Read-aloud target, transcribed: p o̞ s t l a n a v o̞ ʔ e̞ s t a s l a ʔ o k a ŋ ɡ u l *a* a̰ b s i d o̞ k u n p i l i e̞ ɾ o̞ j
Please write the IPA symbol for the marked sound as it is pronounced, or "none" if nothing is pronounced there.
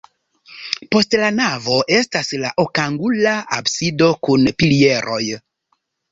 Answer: a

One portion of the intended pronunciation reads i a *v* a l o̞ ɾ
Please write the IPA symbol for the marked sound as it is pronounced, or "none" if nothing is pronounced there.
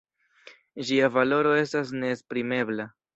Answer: v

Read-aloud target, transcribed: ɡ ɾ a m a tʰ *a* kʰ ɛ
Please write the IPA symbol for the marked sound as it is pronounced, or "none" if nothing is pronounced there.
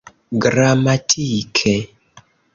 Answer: i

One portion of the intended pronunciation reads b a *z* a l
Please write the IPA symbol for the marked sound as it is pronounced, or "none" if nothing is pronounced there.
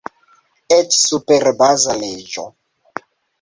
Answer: z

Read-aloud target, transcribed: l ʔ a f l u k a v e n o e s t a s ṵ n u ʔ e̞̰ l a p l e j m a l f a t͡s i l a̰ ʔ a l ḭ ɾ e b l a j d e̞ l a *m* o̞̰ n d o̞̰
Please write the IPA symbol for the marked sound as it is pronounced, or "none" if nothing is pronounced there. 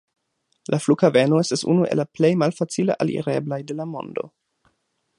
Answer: m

